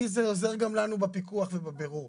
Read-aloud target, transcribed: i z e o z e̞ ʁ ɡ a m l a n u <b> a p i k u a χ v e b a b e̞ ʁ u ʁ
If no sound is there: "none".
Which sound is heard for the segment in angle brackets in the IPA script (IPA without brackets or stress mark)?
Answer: b